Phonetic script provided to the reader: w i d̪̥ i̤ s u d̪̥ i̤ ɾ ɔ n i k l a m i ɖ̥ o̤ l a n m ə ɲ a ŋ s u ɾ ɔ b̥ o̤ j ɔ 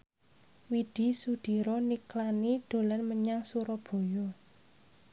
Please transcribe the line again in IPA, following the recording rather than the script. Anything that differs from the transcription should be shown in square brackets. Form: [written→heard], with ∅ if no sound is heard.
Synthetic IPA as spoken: w i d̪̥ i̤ s u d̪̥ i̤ ɾ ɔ n i k l a [m→n] i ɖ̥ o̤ l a n m ə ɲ a ŋ s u ɾ ɔ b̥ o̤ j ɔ